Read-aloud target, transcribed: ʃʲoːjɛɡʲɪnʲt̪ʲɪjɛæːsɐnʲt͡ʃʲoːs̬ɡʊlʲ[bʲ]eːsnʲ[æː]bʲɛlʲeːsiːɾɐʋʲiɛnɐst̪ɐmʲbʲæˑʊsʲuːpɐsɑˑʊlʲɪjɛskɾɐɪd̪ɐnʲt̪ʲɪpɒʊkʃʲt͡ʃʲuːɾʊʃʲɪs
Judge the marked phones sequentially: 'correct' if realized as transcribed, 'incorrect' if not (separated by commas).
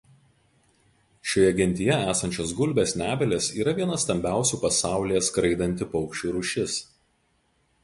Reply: correct, correct